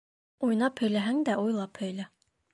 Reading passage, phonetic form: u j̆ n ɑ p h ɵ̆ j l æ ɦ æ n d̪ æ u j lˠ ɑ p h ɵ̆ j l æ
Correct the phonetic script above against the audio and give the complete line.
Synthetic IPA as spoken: u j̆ n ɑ p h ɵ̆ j l æ ɦ æ ŋ d̪ æ u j lˠ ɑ p h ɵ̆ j l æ